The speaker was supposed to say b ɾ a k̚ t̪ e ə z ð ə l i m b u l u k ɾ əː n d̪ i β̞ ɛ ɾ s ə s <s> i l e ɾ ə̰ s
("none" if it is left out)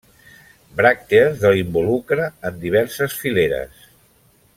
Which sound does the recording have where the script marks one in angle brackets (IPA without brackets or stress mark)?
f